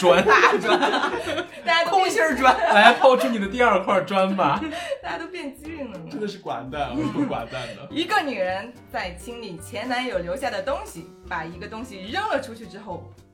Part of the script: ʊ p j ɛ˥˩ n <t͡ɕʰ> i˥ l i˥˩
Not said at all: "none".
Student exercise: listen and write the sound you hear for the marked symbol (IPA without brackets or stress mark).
t͡ɕ